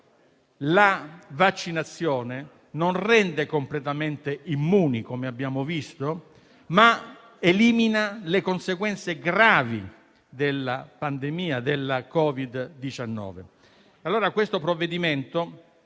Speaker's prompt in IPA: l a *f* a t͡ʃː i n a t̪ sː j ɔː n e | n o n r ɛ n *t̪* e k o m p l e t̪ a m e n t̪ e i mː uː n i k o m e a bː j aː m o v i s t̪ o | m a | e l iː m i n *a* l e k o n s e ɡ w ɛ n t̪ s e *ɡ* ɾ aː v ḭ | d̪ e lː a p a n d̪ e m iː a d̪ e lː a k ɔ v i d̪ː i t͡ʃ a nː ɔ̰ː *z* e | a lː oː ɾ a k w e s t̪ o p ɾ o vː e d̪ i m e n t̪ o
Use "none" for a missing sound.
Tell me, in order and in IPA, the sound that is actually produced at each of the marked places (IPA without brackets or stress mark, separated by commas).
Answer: v, d̪, a, ɡ, v